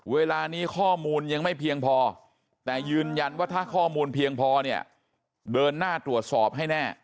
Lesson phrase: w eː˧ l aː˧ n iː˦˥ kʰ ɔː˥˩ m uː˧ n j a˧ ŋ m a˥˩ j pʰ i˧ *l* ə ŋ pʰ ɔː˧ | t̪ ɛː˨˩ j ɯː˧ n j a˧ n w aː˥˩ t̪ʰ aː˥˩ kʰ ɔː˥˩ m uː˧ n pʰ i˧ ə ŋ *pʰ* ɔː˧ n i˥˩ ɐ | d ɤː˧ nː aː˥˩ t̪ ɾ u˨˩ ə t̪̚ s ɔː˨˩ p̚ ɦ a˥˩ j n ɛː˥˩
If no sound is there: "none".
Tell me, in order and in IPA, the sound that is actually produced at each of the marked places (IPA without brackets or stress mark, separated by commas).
none, pʰ